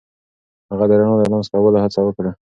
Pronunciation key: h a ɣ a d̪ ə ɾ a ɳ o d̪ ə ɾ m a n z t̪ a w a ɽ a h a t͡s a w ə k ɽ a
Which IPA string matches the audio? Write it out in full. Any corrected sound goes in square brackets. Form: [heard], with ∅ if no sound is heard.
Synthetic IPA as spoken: h a ɣ a d̪ ə ɾ a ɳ o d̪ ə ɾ m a n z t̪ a w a [l] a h a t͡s a w ə k ɽ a